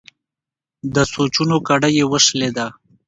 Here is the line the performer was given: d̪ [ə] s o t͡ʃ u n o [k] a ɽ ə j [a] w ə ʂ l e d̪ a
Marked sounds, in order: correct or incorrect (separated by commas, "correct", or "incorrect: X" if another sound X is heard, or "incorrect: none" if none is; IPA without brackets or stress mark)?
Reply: correct, correct, incorrect: e